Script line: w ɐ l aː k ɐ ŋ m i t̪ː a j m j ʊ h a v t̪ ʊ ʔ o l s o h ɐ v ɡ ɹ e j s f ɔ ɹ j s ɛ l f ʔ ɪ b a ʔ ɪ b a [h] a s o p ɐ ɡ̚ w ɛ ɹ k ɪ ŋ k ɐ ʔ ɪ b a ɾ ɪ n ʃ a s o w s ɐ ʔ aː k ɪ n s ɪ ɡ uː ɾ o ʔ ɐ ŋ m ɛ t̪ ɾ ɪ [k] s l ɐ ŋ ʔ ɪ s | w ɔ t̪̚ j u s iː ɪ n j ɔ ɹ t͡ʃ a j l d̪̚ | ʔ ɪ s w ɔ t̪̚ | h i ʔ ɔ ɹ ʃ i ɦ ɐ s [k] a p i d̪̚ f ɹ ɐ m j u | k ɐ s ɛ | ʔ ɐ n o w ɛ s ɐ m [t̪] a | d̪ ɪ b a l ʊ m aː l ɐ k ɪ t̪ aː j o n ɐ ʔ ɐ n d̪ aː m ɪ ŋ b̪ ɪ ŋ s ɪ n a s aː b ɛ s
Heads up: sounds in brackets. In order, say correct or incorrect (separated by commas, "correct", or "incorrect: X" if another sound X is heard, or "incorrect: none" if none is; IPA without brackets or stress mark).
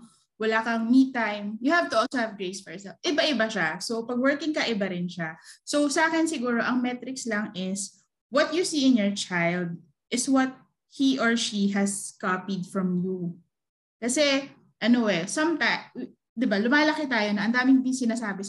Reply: incorrect: ʃ, correct, correct, correct